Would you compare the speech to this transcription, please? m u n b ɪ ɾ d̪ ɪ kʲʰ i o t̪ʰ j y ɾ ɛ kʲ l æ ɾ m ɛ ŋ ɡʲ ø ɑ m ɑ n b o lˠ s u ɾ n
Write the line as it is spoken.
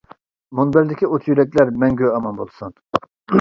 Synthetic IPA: m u n b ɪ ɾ d̪ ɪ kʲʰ i o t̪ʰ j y ɾ ɛ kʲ l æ ɾ m ɛ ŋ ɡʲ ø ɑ m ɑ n b o lˠ s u n